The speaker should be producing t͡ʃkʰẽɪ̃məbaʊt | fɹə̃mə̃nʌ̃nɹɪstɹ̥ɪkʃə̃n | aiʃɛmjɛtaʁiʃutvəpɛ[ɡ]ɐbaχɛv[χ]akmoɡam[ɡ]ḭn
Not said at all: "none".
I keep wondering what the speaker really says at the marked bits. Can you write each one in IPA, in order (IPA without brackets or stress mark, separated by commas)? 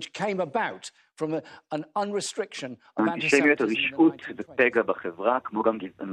ɡ, ʁ, ɡ